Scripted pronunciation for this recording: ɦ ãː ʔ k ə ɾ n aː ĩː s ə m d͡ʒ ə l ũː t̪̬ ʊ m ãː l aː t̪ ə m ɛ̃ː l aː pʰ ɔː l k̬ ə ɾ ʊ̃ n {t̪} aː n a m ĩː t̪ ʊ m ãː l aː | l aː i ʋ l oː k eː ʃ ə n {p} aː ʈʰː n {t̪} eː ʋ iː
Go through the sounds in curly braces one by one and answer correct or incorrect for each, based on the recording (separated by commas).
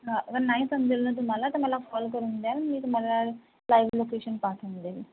incorrect, correct, incorrect